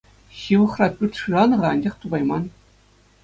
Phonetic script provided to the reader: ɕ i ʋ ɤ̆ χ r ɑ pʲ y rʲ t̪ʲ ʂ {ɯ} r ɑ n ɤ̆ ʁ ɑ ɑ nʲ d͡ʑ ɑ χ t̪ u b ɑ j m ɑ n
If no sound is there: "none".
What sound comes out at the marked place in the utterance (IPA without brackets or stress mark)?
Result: ɯ